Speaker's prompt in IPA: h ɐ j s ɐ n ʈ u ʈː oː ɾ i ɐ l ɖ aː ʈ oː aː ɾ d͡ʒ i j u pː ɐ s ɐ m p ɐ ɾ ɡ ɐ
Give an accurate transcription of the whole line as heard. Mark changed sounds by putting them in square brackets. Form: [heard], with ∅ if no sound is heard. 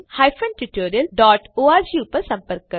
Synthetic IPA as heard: h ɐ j [f] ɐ n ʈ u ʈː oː ɾ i ɐ l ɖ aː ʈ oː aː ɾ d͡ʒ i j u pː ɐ s ɐ m p ɐ ɾ [k] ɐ